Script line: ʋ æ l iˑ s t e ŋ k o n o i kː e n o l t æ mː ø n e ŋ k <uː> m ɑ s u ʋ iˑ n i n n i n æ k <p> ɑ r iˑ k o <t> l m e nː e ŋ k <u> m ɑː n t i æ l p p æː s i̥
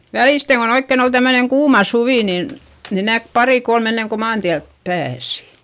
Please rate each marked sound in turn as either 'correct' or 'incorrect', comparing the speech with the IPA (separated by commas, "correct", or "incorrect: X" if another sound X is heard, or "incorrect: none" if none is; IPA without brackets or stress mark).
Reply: correct, correct, incorrect: none, incorrect: o